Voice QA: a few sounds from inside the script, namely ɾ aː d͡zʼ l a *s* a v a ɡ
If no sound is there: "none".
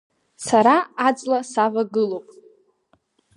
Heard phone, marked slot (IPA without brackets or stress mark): s